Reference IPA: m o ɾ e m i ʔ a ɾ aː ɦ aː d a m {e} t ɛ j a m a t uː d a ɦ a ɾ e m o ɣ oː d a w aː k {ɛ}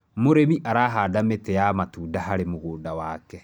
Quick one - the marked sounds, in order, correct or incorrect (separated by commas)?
correct, correct